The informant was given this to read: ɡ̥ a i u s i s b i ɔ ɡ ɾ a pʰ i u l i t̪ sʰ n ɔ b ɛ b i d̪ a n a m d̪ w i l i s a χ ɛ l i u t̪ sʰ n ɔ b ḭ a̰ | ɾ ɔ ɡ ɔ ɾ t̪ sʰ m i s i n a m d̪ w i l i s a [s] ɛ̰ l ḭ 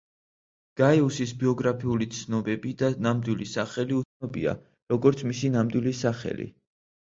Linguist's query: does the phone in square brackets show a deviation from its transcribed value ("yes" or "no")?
yes